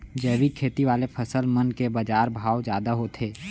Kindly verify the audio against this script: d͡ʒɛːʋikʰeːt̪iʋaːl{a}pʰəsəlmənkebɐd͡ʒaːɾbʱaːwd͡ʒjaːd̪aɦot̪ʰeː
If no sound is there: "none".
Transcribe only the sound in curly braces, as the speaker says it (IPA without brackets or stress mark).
e